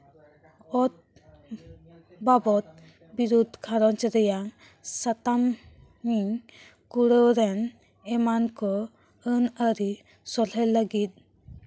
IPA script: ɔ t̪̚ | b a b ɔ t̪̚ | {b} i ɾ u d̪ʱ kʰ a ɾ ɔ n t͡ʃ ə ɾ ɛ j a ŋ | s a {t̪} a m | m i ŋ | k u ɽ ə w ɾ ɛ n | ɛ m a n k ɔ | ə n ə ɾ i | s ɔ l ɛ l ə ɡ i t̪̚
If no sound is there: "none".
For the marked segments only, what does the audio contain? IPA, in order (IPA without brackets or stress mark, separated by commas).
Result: b, t̪